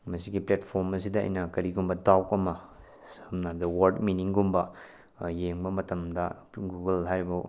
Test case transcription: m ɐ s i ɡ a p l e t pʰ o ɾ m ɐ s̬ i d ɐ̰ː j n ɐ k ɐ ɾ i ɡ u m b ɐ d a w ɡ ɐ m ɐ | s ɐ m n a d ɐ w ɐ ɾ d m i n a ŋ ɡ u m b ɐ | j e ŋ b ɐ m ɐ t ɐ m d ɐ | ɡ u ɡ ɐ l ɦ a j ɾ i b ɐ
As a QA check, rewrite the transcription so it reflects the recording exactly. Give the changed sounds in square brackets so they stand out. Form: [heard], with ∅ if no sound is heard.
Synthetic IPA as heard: m ɐ s i ɡ [i] p l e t pʰ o ɾ m ɐ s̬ i d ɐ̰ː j n ɐ k ɐ ɾ i ɡ u m b ɐ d a w [k] ɐ m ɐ | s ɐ m n a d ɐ w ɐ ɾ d m i n [i] ŋ ɡ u m b ɐ | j e ŋ b ɐ m ɐ t ɐ m d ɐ | ɡ u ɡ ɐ l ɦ a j ɾ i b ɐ